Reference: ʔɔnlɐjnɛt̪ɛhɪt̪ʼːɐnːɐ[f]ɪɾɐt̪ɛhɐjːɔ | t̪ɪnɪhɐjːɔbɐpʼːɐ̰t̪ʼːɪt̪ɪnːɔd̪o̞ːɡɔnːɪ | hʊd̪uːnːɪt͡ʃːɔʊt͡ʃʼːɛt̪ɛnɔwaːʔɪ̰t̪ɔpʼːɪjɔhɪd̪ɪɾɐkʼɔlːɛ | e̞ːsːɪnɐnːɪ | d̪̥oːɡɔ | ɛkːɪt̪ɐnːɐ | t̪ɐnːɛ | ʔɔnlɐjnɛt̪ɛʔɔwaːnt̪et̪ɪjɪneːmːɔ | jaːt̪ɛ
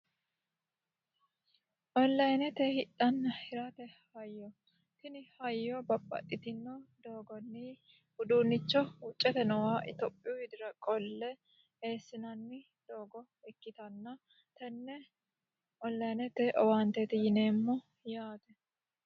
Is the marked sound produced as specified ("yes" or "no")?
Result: no